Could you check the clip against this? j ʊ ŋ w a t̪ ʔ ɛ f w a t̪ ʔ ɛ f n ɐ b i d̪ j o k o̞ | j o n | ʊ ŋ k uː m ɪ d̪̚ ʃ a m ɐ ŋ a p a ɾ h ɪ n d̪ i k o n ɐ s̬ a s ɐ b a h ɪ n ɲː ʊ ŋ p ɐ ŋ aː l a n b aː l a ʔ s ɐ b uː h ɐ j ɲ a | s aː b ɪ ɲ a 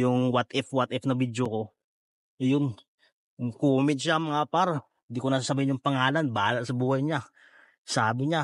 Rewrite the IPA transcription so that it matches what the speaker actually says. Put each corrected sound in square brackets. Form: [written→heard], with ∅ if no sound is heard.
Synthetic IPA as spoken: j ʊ ŋ w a t̪ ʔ ɛ f w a t̪ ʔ ɛ f n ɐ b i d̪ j o k o̞ | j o n | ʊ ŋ k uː m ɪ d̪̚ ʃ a m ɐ ŋ a p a ɾ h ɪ n d̪ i k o n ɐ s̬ a s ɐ b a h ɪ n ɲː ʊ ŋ p ɐ ŋ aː l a n b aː l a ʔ s ɐ b uː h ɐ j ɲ a | s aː b ɪ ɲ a

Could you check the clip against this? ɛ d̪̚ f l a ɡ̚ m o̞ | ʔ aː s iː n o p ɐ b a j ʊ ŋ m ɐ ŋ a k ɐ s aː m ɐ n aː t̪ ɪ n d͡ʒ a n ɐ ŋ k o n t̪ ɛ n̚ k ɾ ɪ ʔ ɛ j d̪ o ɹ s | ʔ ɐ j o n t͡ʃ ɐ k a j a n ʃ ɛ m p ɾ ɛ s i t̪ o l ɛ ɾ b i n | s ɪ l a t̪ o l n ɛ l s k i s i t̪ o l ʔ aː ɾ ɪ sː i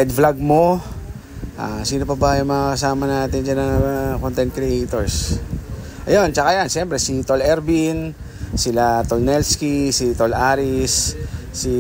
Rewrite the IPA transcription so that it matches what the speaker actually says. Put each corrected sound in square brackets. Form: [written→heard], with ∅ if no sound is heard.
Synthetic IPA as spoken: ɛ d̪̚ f l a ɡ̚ m o̞ | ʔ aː s iː n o p ɐ b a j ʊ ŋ m ɐ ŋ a k ɐ s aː m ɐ n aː t̪ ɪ n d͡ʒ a n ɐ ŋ k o n t̪ ɛ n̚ k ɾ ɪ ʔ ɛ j [d̪→t̪] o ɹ s | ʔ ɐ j o n t͡ʃ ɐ k a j a n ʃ ɛ m p ɾ ɛ s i t̪ o l ɛ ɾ b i n | s ɪ l a t̪ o l n ɛ l s k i s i t̪ o l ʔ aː ɾ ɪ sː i

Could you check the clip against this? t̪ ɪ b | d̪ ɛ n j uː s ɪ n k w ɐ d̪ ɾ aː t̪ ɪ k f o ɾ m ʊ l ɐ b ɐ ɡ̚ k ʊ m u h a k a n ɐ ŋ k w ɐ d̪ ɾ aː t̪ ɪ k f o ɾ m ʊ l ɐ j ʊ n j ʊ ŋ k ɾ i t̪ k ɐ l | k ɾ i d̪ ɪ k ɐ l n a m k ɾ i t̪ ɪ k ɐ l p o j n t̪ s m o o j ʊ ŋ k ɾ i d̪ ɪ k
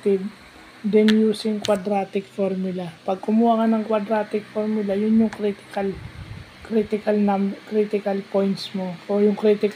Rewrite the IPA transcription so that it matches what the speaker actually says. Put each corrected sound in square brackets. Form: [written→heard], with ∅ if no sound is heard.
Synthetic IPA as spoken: t̪ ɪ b | d̪ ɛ n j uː s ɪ [n→ŋ] k w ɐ d̪ ɾ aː t̪ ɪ k f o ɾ m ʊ l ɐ [b→p] ɐ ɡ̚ k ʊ m u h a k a n ɐ ŋ k w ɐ d̪ ɾ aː t̪ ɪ k f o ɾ m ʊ l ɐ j ʊ n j ʊ ŋ k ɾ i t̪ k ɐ l | k ɾ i [d̪→t̪] ɪ k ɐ l n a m k ɾ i t̪ ɪ k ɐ l p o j n t̪ s m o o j ʊ ŋ k ɾ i [d̪→t̪] ɪ k

